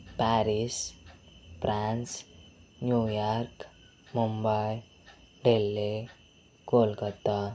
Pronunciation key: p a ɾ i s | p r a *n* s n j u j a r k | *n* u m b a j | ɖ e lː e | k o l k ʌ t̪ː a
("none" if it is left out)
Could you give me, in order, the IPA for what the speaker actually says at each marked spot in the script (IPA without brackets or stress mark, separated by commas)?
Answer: n, m